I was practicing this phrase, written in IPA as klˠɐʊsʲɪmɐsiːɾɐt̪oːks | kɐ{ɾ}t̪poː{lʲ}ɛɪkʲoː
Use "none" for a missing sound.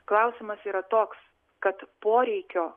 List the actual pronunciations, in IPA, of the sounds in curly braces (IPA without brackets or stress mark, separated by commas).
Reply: none, ɾʲ